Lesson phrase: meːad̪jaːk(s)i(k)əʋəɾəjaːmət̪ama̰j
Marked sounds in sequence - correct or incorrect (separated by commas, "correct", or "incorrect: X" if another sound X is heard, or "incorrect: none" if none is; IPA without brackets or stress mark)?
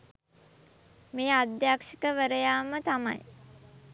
incorrect: ʂ, correct